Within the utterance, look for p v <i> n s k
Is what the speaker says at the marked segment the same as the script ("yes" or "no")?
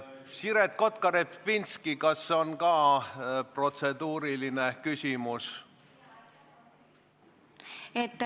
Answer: yes